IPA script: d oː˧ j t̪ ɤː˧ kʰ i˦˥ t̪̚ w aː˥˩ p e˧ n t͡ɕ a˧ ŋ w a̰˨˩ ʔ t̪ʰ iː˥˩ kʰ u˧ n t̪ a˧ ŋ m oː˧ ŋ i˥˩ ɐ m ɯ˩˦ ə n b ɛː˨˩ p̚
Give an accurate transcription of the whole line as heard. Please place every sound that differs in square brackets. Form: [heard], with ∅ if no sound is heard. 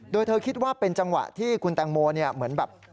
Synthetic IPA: d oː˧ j [t̪ʰ] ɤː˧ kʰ i˦˥ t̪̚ w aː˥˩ p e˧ n t͡ɕ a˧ ŋ w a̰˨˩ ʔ t̪ʰ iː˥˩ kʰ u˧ n t̪ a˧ ŋ m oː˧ [n] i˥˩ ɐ m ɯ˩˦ ə n b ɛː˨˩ p̚